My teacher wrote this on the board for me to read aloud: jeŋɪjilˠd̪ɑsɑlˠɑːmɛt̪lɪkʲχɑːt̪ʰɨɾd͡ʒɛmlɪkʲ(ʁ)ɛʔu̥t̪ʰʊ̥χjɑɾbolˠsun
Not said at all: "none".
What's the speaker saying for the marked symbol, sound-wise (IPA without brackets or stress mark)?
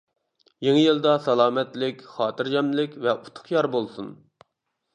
v